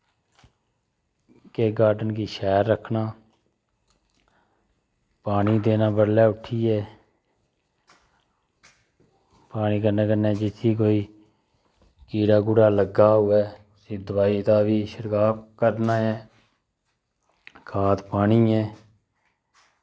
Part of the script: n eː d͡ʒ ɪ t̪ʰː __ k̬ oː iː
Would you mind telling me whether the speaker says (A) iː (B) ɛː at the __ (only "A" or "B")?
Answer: A